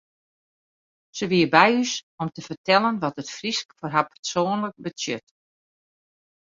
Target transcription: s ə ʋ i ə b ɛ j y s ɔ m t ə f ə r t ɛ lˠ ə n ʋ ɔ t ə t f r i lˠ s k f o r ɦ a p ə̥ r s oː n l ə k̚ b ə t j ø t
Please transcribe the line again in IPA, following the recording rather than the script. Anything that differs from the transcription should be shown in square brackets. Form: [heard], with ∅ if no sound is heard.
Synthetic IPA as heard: s ə ʋ i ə b ɛ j y s ɔ m t ə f ə r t ɛ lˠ ə n ʋ ɔ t ə t f r i [∅] s k f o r ɦ a p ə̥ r s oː n l ə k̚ b ə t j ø t